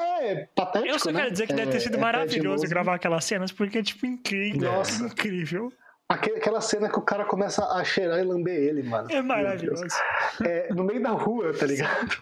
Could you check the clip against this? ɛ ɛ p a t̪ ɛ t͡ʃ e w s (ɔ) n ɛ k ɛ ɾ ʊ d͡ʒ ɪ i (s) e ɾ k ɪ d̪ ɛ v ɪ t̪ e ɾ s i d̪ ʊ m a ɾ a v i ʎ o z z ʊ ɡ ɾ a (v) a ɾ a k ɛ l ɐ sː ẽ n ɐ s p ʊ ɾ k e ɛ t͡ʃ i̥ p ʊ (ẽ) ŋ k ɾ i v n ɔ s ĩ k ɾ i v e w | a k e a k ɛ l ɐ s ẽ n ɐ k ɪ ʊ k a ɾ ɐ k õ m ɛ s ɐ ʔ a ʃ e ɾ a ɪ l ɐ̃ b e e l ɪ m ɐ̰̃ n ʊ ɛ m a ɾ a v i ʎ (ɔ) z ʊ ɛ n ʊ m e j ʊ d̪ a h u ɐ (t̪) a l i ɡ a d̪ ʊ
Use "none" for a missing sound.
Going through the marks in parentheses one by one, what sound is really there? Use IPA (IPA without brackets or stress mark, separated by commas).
ɔ, z, v, ĩ, o, t̪